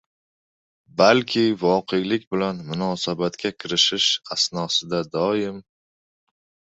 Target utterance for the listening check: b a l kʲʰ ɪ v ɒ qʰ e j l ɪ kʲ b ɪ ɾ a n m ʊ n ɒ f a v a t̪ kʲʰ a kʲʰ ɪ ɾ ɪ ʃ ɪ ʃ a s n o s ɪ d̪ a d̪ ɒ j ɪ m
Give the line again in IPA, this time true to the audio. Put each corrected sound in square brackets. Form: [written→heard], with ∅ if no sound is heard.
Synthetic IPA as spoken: b a l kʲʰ ɪ v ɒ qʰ e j l ɪ kʲ b ɪ [ɾ→l] a n m ʊ n ɒ [f→s] a [v→b] a t̪ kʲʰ a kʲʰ ɪ ɾ ɪ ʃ ɪ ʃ a s n [o→ɒ] s ɪ d̪ a d̪ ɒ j ɪ m

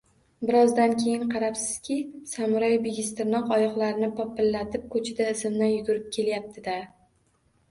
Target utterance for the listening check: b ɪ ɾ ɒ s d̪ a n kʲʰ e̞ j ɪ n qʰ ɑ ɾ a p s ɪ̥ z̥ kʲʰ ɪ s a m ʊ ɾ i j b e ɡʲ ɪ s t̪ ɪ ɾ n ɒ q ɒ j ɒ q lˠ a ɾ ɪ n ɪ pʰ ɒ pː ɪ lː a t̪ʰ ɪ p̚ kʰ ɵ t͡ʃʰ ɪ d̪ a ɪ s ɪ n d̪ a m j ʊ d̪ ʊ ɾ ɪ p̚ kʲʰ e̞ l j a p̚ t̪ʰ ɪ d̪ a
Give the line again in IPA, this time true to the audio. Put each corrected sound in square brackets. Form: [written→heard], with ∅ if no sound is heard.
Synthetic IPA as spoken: b ɪ ɾ ɒ [s→z] d̪ a n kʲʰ e̞ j ɪ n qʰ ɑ ɾ a p s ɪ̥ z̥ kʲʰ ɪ s a m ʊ ɾ [i→a] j b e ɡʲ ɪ s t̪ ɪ ɾ n ɒ q ɒ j ɒ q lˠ a ɾ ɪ n ɪ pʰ ɒ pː ɪ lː a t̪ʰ ɪ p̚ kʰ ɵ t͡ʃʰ ɪ d̪ a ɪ s ɪ [n→m] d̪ a [m→n] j ʊ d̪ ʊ ɾ ɪ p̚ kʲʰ e̞ l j a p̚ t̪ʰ ɪ d̪ a

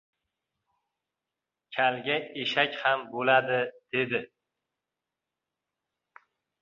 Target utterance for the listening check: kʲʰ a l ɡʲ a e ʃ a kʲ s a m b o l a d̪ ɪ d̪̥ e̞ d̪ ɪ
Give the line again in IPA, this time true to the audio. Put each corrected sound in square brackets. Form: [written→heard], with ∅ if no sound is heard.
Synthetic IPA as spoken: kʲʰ a l ɡʲ a e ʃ a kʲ [s→h] a m b o l a d̪ ɪ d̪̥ e̞ d̪ ɪ

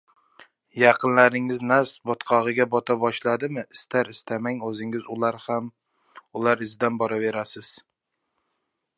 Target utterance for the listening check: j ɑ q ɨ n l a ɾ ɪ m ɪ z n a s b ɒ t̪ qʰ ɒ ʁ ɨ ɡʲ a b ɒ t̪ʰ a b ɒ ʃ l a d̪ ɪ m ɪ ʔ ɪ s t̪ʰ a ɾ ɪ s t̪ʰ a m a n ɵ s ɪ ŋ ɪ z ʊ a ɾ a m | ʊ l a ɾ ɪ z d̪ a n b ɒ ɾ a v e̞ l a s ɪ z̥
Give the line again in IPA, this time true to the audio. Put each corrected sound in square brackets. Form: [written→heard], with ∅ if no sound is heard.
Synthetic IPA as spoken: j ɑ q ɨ n l a ɾ ɪ [m→ŋ] ɪ z n a s b ɒ t̪ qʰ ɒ ʁ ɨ ɡʲ a b ɒ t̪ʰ a b ɒ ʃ l a d̪ ɪ m ɪ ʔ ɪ s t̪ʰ a ɾ ɪ s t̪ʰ a m a [n→ŋ] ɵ [s→z] ɪ ŋ ɪ z ʊ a ɾ a m | ʊ l a ɾ ɪ z d̪ a n b ɒ ɾ a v e̞ [l→ɾ] a s ɪ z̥

